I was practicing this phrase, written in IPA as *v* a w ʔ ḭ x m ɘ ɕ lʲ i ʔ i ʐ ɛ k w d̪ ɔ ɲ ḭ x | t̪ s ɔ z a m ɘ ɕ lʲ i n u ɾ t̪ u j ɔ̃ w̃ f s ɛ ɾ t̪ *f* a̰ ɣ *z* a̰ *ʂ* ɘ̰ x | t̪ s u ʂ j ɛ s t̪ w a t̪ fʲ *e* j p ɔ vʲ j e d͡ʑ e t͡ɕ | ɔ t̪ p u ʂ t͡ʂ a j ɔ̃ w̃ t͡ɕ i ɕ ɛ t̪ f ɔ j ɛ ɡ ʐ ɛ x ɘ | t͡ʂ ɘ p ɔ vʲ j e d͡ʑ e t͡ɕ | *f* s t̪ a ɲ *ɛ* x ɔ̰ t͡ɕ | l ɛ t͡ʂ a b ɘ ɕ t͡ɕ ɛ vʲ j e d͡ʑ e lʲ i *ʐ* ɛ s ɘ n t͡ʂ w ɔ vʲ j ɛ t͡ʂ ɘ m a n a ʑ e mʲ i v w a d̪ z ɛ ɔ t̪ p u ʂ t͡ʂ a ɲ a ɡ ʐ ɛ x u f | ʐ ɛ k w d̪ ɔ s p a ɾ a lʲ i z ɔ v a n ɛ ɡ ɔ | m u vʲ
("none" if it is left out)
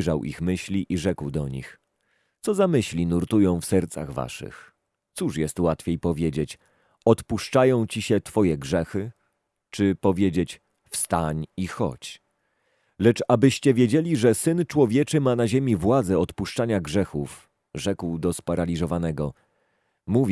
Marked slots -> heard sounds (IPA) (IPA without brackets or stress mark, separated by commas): ʐ, s, v, ʂ, e, f, i, ʐ